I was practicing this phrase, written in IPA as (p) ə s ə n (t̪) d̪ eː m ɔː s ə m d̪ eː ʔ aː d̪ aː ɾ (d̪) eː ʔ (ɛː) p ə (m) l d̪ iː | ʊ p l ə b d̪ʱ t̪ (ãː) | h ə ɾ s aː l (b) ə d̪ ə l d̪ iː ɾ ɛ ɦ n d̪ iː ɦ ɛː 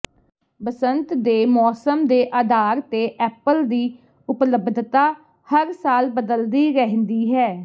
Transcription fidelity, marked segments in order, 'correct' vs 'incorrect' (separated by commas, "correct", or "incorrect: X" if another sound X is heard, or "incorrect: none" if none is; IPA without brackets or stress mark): incorrect: b, correct, incorrect: t̪, correct, incorrect: none, incorrect: aː, correct